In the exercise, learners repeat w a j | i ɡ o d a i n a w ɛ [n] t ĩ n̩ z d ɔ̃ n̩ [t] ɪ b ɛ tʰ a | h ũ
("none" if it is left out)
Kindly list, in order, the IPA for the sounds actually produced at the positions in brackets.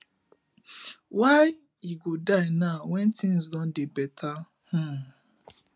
n, d

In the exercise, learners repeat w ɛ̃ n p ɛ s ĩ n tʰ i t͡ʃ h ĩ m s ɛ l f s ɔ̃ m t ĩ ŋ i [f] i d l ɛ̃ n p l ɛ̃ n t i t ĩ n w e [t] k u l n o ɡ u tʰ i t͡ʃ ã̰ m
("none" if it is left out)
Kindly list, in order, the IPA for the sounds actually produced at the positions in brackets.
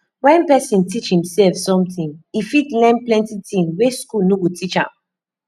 f, s

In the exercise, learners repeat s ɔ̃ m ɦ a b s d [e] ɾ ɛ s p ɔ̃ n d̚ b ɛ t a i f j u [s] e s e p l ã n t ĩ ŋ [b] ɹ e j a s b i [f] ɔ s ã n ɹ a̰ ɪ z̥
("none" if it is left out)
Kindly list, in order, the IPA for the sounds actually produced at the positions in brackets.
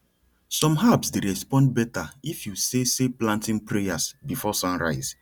e, s, p, f

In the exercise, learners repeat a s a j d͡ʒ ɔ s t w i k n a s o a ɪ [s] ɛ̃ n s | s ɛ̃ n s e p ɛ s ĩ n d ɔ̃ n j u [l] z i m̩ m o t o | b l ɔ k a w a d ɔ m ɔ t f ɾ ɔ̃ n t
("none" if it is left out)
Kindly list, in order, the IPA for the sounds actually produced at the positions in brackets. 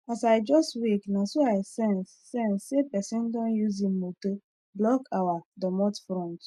s, none

